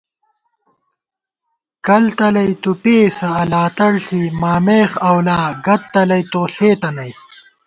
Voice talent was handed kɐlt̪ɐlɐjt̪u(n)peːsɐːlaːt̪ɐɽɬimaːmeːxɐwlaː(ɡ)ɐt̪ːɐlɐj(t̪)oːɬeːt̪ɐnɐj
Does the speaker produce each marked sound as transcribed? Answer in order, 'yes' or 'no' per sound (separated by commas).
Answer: no, yes, yes